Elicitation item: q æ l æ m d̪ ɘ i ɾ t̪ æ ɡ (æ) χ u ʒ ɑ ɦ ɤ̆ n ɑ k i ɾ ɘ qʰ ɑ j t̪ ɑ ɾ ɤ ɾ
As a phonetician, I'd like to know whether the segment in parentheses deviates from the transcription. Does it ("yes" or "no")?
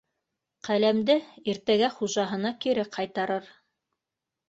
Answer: no